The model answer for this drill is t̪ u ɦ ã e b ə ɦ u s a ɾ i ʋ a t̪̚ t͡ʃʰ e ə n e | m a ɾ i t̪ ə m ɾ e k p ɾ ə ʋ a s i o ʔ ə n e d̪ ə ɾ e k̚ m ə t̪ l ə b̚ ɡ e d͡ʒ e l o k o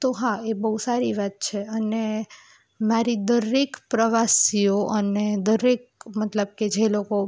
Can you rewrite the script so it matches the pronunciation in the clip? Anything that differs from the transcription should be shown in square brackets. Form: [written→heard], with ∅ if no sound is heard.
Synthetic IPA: t̪ [u→o] ɦ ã e b ə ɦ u s a ɾ i ʋ a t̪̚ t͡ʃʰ e ə n e | m a ɾ i [t̪→d̪] ə [m→∅] ɾ e k p ɾ ə ʋ a s i o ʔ ə n e d̪ ə ɾ e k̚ m ə t̪ l ə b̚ [ɡ→k] e d͡ʒ e l o k o

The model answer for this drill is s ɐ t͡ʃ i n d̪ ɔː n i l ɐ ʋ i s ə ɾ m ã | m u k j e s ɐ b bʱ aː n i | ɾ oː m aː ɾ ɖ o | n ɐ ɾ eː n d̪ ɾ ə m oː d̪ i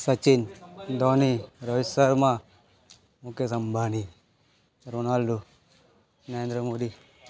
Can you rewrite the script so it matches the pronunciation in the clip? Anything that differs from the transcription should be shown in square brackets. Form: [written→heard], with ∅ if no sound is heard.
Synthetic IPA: s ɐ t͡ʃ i n d̪ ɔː n i [l→ɾ] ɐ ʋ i s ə ɾ m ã | m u k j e s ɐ [b→m] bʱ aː n i | ɾ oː [m→n] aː [ɾ→l] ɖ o | n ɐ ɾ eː n d̪ ɾ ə m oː d̪ i

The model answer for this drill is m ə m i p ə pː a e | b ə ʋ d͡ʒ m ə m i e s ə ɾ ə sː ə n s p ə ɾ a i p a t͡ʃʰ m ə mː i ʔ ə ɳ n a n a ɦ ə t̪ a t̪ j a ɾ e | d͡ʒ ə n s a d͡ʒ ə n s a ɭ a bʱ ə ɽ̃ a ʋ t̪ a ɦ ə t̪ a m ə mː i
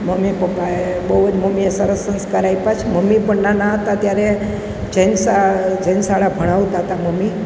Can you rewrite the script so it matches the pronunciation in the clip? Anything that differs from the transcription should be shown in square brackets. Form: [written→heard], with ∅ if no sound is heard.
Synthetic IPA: m ə m i p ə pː a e | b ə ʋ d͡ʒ m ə m i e s ə ɾ ə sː ə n s [p→k] ə ɾ a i p a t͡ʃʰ m ə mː i [ʔ→p] ə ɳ n a n a ɦ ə t̪ a t̪ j a ɾ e | d͡ʒ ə n s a d͡ʒ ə n s a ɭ a bʱ ə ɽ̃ a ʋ t̪ a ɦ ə t̪ a m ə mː i

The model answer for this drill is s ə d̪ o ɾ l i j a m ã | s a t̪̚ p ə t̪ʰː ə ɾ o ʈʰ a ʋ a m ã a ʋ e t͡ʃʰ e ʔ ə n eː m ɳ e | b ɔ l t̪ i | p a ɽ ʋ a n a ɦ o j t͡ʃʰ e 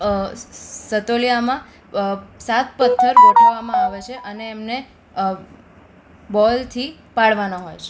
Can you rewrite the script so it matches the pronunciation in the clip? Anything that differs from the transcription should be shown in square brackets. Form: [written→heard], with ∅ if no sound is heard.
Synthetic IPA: s ə [d̪→t̪] o [ɾ→∅] l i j a m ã | s a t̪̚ p ə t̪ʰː ə ɾ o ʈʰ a ʋ a m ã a ʋ e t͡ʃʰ e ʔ ə n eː m [ɳ→n] e | b ɔ l [t̪→t̪ʰ] i | p a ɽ ʋ a n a ɦ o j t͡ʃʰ e

